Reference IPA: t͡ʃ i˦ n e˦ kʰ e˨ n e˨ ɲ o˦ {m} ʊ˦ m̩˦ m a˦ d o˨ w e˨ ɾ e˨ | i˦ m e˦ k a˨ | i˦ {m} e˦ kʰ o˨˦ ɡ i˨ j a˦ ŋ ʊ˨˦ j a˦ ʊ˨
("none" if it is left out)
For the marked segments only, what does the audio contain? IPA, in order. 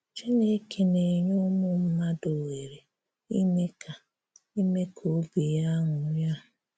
m, m

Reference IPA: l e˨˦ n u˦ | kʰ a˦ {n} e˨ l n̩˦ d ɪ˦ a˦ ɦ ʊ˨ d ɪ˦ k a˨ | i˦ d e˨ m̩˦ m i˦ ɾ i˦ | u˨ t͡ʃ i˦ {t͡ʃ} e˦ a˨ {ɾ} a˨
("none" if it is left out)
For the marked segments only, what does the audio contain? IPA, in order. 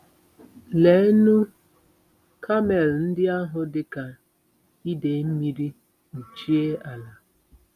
m, none, l

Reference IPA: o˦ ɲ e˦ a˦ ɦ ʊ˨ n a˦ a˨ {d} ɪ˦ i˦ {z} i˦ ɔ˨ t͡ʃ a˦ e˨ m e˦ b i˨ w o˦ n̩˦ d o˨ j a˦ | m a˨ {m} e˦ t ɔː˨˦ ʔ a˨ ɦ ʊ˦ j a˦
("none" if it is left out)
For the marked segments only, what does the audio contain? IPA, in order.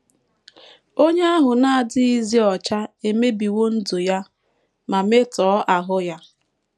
d, z, m

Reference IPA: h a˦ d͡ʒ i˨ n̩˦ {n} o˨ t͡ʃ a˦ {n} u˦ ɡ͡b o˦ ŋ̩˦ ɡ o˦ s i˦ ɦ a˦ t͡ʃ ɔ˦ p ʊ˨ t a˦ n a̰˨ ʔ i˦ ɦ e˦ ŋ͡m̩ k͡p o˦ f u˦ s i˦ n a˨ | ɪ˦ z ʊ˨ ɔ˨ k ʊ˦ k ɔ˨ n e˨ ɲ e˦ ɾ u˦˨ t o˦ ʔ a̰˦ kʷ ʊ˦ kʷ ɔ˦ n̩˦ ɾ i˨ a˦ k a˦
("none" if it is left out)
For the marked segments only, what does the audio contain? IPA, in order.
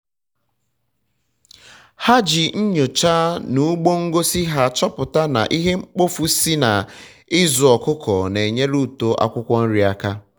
ɲ, n

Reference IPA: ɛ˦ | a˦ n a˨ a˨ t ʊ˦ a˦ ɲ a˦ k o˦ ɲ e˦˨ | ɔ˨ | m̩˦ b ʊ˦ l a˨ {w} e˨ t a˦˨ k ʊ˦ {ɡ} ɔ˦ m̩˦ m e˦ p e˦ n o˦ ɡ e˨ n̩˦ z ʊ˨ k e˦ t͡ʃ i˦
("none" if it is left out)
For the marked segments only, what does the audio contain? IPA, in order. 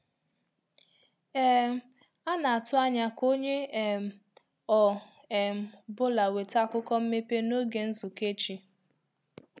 w, k

